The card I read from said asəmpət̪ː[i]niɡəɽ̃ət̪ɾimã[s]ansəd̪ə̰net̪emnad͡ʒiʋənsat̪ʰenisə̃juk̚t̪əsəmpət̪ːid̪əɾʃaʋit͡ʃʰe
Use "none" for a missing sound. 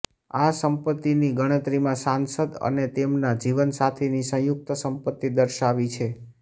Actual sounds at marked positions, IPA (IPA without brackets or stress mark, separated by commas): i, s